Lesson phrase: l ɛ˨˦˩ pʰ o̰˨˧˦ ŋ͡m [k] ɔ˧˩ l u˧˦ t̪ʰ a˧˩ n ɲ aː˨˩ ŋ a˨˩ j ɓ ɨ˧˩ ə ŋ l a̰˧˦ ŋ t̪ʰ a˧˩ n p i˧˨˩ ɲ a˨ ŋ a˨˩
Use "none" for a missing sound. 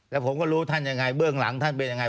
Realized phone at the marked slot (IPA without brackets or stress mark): k